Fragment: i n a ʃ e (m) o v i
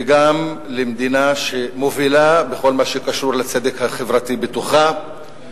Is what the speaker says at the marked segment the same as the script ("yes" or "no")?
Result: yes